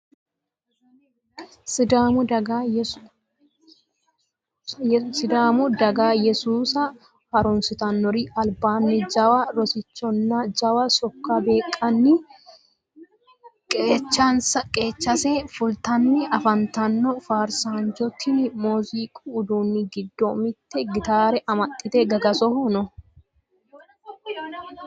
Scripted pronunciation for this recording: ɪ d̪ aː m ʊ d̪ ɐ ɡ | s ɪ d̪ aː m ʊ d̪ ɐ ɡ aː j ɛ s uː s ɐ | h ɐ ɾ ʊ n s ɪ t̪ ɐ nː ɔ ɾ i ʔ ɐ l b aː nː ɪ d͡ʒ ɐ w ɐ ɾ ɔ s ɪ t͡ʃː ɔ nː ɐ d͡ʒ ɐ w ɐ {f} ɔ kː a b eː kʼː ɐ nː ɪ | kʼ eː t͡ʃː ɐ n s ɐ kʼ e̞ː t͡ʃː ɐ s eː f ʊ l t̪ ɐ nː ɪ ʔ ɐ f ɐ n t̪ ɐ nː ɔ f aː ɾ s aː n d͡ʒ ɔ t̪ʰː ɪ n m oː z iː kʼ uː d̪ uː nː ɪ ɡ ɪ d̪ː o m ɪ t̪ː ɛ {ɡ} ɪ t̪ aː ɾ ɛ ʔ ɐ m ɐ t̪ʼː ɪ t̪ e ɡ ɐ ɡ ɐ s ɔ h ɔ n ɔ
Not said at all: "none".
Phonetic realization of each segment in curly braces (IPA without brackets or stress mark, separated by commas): s, ɡ